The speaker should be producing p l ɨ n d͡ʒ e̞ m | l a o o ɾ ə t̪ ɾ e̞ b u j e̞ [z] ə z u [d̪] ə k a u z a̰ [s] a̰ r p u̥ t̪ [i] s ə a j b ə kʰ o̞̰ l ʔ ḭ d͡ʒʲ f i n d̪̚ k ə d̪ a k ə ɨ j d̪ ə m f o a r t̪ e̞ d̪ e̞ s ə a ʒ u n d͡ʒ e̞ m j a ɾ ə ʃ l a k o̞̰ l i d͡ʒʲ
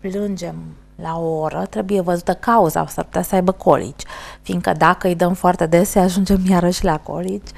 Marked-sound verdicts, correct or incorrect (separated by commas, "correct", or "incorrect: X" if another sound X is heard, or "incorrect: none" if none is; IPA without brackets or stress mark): incorrect: v, incorrect: t̪, correct, incorrect: a